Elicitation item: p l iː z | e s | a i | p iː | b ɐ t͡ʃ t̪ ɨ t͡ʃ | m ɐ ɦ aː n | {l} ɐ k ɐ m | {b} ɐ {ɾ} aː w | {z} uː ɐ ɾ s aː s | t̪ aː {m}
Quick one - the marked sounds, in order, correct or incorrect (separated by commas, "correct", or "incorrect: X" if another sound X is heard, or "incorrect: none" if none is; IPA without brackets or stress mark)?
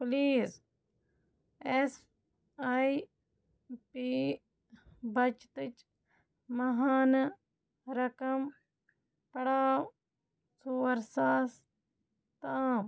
incorrect: ɾ, incorrect: p, incorrect: ɽ, incorrect: s, correct